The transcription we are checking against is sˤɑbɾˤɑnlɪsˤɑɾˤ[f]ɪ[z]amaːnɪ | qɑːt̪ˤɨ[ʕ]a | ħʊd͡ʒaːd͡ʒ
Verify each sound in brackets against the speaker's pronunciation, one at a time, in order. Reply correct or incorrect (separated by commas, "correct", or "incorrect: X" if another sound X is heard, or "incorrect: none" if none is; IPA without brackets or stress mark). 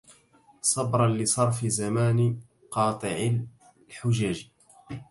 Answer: correct, correct, correct